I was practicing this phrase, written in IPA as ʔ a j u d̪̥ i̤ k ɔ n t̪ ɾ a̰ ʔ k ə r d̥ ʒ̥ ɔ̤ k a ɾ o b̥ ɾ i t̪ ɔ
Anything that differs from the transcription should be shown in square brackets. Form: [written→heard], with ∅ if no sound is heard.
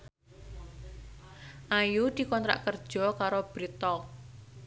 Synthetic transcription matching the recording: ʔ a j u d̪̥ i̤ k ɔ n t̪ ɾ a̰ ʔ k ə r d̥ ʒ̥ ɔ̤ k a ɾ o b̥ ɾ i t̪ ɔ